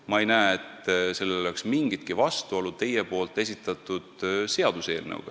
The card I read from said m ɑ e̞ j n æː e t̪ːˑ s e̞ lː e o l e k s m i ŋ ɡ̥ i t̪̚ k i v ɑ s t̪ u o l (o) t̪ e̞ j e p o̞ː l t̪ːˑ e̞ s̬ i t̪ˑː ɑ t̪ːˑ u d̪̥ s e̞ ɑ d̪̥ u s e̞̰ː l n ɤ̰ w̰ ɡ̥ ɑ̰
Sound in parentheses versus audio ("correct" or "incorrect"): incorrect